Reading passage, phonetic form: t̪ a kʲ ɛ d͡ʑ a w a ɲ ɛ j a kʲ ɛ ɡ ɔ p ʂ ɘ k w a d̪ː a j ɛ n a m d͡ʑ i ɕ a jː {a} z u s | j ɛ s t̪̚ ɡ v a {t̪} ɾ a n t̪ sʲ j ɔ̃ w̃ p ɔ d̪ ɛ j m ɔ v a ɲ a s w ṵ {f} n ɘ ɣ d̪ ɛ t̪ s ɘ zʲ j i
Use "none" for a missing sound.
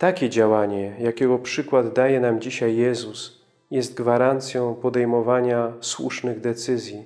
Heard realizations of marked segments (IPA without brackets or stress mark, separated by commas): ɛ, none, ʂ